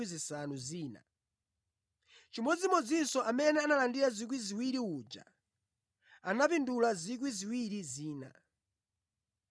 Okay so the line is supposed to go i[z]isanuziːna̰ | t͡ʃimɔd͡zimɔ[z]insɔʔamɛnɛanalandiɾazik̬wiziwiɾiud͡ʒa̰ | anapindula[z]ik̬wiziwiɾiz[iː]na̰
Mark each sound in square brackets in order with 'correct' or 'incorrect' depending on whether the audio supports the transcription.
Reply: correct, incorrect: d͡z, correct, correct

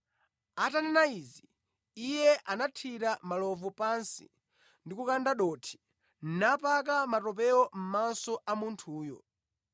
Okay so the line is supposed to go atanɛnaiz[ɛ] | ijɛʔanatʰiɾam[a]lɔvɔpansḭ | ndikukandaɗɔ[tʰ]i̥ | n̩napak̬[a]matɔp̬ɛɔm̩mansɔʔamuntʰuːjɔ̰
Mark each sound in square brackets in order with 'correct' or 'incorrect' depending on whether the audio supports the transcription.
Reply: incorrect: i, correct, correct, correct

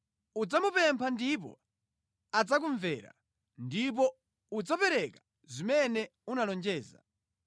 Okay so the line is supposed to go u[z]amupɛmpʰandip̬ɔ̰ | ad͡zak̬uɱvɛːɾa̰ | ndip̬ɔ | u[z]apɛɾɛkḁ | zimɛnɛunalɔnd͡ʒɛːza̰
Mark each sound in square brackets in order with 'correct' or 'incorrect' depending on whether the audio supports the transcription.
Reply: incorrect: d͡z, incorrect: d͡z

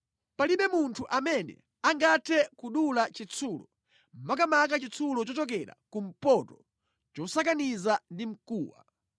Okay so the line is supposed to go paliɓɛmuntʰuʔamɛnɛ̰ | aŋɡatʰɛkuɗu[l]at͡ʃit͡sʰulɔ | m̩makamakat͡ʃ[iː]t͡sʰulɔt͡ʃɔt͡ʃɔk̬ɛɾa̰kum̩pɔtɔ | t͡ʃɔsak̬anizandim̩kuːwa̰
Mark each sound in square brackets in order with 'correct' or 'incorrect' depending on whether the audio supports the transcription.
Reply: correct, incorrect: i

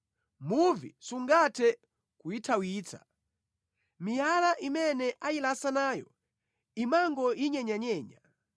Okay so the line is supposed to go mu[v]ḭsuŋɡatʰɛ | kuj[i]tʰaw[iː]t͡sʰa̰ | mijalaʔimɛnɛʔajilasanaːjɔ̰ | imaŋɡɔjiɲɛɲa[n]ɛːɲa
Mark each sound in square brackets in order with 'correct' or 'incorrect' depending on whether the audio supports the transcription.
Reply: correct, correct, correct, incorrect: ɲ

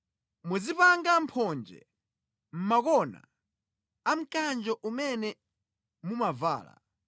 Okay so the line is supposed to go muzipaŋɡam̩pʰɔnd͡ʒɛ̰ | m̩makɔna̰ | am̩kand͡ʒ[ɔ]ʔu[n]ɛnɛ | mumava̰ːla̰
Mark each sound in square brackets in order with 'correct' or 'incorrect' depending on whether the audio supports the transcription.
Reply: correct, incorrect: m

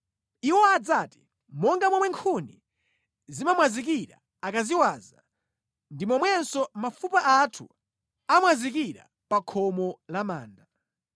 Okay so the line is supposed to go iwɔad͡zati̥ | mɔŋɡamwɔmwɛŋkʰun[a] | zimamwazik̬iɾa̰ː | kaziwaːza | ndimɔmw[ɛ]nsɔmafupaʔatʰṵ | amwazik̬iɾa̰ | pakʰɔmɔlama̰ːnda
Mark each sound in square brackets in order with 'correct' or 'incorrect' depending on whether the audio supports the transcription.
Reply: incorrect: i, correct

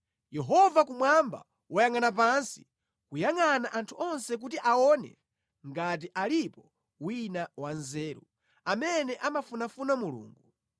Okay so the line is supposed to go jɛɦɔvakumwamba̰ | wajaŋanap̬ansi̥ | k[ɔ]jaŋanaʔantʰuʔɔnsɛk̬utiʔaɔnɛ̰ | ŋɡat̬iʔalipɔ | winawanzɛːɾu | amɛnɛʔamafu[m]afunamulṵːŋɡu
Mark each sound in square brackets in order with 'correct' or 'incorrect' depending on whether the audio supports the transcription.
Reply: incorrect: u, incorrect: n

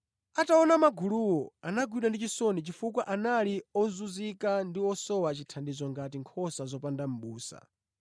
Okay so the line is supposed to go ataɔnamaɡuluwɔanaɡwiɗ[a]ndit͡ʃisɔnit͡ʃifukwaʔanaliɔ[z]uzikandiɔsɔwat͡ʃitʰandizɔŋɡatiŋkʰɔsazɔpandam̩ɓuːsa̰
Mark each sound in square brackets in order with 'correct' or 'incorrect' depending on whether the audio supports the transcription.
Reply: correct, correct

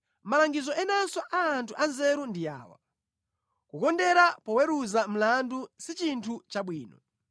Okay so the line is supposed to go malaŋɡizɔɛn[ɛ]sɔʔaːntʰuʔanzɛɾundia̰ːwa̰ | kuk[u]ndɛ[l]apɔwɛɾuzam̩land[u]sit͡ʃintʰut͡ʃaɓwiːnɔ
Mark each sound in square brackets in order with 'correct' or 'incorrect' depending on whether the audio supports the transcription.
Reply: incorrect: a, incorrect: ɔ, incorrect: ɾ, correct

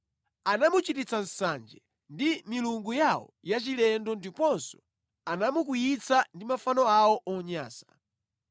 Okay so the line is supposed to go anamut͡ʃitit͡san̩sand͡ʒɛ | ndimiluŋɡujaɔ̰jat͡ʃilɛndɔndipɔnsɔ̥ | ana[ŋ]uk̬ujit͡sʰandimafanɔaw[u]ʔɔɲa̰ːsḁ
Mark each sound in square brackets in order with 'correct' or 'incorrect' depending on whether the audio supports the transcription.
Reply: incorrect: m, incorrect: ɔ

